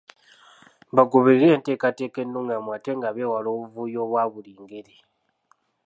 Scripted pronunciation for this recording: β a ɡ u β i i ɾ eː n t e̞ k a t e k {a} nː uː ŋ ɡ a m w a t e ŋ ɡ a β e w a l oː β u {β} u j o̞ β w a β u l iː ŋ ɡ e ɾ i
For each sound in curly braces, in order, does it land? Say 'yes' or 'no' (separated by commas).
no, no